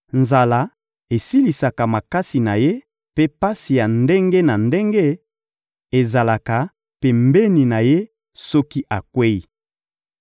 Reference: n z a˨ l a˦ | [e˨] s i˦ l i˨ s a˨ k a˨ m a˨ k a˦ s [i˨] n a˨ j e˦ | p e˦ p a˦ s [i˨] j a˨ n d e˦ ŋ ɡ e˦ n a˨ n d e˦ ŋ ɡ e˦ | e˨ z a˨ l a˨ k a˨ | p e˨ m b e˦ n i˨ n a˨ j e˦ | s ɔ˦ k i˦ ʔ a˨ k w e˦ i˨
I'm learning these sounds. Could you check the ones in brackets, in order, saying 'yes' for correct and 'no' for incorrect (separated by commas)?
yes, yes, yes